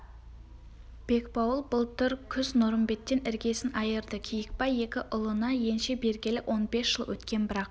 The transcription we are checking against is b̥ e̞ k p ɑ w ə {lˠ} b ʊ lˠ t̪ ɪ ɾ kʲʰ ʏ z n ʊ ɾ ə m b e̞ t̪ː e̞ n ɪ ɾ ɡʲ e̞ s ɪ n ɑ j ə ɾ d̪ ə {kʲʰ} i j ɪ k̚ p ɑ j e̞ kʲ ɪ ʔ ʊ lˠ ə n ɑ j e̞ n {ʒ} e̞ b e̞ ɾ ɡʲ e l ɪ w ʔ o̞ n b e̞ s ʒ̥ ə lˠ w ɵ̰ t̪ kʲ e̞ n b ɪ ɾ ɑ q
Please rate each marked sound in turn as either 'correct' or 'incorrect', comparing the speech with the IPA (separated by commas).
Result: correct, correct, incorrect